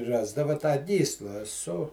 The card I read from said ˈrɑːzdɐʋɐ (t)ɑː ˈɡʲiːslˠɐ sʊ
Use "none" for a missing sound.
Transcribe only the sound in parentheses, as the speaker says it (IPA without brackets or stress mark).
t